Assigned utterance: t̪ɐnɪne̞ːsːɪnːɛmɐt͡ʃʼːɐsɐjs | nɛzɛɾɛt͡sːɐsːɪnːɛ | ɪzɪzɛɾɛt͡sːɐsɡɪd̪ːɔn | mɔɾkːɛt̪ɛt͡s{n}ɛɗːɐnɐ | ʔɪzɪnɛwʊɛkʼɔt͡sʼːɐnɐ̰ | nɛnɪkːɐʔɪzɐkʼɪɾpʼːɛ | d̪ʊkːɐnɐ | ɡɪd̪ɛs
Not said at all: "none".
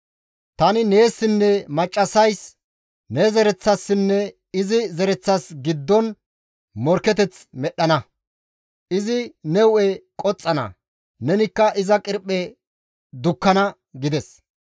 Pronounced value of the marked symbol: m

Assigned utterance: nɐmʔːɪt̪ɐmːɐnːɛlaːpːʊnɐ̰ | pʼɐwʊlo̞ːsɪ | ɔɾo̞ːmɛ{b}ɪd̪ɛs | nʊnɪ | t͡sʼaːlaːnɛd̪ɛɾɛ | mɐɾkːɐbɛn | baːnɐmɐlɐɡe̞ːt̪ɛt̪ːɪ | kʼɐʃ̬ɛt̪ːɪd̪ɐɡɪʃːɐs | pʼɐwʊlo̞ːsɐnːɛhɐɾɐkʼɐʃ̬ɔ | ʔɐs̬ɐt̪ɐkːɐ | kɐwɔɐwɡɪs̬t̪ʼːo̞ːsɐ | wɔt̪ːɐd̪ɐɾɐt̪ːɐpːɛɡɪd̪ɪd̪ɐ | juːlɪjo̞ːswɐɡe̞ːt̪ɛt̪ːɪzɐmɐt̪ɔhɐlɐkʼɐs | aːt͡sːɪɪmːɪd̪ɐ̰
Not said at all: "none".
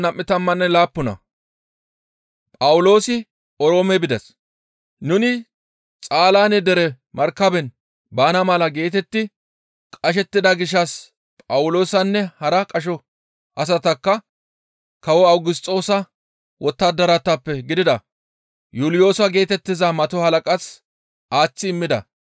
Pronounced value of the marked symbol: b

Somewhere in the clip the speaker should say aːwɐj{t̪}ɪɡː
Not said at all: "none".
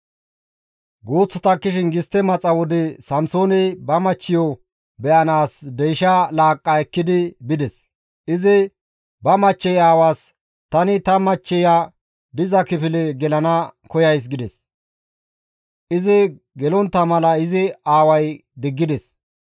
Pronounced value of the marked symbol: d̪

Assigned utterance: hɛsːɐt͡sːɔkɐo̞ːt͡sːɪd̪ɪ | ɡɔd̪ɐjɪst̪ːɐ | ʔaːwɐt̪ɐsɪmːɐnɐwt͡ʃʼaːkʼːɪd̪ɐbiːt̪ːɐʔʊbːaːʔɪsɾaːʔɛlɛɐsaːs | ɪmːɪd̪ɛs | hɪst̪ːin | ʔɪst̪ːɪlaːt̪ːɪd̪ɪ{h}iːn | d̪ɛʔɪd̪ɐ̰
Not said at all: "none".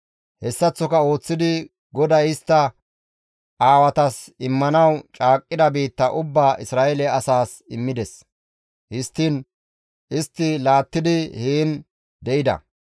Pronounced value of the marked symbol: h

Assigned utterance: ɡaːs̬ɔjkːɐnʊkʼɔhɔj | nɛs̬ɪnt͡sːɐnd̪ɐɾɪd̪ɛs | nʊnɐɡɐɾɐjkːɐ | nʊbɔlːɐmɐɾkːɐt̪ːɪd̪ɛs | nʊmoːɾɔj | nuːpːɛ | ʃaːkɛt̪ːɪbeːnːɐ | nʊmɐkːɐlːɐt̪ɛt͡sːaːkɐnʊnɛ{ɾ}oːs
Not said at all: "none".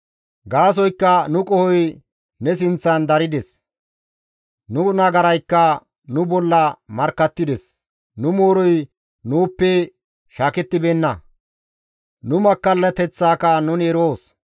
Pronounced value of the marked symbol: ɾ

